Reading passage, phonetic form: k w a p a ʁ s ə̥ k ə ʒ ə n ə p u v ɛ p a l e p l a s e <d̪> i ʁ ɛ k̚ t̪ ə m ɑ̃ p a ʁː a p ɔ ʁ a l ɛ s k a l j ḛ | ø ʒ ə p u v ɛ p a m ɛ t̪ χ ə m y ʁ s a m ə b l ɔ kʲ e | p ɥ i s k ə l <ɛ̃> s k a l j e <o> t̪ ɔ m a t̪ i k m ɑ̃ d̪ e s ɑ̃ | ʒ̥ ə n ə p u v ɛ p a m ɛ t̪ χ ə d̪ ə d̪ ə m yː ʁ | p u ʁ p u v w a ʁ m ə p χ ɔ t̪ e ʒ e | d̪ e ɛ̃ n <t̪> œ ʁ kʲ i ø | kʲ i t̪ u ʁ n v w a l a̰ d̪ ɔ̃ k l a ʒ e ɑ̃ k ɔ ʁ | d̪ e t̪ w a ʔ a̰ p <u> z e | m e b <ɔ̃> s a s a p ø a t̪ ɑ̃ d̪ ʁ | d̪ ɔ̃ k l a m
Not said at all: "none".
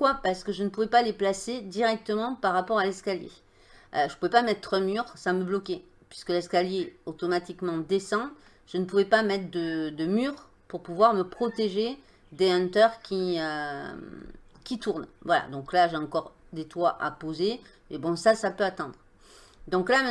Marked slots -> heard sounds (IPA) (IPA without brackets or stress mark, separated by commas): d̪, ɛ, o, t̪, o, ɔ̃